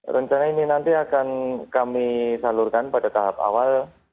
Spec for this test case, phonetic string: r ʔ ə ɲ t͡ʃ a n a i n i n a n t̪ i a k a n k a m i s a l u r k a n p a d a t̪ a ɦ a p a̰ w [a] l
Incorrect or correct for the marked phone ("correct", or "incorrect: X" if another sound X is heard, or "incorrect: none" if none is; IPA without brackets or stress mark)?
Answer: correct